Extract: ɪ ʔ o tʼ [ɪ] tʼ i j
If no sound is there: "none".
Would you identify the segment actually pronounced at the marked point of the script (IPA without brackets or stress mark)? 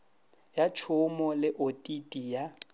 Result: i